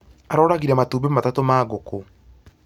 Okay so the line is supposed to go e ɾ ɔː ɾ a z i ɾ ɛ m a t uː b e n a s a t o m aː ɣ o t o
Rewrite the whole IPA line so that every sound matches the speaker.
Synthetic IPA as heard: a ɾ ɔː ɾ a ɣ i ɾ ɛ m a t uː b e m a t a t o m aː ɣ o k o

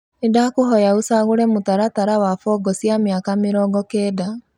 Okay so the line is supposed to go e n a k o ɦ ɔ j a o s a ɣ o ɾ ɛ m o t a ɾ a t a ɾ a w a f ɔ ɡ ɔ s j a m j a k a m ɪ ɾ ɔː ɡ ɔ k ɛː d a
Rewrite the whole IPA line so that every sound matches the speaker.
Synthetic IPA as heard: e d a k o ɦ ɔ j a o s a ɣ o ɾ ɛ m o t a ɾ a t a ɾ a w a f ɔ ɡ ɔ s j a m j a k a m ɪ ɾ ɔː ɡ ɔ k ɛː d a

